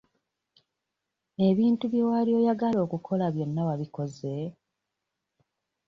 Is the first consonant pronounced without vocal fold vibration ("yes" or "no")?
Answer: no